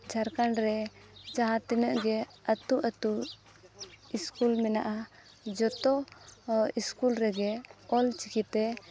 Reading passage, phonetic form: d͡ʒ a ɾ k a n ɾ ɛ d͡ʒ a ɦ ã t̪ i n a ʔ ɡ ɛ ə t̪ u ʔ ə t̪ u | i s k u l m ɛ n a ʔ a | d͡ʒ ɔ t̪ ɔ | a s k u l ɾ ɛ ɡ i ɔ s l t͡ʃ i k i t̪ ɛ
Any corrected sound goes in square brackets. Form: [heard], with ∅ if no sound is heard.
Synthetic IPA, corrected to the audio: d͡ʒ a ɾ k a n ɾ ɛ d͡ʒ a ɦ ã t̪ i n [ə] ʔ ɡ ɛ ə t̪ u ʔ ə t̪ u | i s k u l m ɛ n a ʔ a | d͡ʒ ɔ t̪ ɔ | [i] s k u l ɾ ɛ ɡ [ɛ] ɔ [∅] l t͡ʃ i k i t̪ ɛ